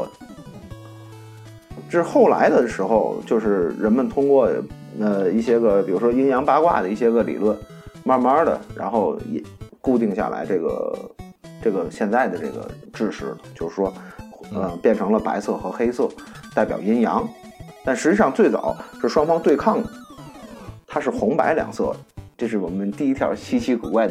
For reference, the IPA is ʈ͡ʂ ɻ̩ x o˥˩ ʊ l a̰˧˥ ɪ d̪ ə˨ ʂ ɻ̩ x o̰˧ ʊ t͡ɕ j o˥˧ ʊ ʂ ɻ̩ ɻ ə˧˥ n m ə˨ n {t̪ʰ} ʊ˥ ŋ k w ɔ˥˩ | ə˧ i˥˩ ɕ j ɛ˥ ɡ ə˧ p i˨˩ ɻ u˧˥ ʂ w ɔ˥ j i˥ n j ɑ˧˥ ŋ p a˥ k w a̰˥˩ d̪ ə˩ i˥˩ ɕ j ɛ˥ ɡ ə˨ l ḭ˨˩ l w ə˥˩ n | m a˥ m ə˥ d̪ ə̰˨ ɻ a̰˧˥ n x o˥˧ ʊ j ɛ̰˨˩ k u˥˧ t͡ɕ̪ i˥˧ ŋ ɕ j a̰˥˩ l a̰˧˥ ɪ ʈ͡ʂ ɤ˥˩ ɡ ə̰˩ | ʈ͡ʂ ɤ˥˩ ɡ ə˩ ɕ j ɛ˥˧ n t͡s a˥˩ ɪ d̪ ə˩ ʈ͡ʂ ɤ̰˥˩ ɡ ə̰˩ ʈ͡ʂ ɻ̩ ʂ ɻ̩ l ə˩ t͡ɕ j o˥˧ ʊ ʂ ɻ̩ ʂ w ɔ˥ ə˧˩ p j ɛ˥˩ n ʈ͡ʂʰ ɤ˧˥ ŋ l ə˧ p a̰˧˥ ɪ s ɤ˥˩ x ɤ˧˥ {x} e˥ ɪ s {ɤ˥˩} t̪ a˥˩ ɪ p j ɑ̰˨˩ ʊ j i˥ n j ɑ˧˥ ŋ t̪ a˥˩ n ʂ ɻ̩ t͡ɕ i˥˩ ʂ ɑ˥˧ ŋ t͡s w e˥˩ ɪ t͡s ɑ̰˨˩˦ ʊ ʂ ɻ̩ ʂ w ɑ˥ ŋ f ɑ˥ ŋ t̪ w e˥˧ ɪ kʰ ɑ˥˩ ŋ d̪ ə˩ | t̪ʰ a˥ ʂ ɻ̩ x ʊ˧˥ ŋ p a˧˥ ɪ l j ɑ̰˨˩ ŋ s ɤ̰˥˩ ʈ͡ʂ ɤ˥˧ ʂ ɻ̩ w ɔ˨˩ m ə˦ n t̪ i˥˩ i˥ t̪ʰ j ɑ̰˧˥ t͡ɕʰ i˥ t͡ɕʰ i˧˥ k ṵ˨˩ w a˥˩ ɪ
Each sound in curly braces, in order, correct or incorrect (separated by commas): correct, correct, correct